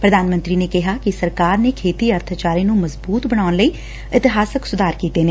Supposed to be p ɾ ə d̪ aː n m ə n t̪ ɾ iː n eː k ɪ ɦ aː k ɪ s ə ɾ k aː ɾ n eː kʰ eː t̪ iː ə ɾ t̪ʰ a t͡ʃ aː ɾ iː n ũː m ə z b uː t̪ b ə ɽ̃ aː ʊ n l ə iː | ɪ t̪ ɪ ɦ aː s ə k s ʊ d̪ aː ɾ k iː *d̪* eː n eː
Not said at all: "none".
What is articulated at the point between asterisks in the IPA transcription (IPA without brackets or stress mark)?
t̪